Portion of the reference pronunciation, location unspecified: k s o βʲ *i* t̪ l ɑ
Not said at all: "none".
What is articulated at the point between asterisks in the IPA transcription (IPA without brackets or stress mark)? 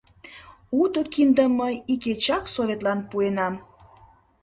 e